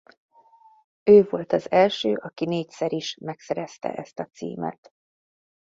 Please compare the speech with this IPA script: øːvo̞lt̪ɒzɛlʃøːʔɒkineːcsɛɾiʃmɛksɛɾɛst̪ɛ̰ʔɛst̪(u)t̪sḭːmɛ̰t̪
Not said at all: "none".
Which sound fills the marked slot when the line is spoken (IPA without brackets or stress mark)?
ɒ